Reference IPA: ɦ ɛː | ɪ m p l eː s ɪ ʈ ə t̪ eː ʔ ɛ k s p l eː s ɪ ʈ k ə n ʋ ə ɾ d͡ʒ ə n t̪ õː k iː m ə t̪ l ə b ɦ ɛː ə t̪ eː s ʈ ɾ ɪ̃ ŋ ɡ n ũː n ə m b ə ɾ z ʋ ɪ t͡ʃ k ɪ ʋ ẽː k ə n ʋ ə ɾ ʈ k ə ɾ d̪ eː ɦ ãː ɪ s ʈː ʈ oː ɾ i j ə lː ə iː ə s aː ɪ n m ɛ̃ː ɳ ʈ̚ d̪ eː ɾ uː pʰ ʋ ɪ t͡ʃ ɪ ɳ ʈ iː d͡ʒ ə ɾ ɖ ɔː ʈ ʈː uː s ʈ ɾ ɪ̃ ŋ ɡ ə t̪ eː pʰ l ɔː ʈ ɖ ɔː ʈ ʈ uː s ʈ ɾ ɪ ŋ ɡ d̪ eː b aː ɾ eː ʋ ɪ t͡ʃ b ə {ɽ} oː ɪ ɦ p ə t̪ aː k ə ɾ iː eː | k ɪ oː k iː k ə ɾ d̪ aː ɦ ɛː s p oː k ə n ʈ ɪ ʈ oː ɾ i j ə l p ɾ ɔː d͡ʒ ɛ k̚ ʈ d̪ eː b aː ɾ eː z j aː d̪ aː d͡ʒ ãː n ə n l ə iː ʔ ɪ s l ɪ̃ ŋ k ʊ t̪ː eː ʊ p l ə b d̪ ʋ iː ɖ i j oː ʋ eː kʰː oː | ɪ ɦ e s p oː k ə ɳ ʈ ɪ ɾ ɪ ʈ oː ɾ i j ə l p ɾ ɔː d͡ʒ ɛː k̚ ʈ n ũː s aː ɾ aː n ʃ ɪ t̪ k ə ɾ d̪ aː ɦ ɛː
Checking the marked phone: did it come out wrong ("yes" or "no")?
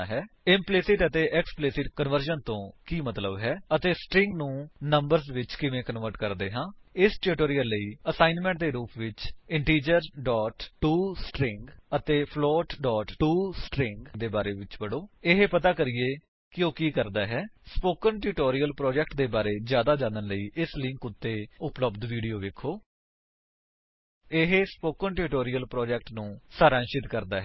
no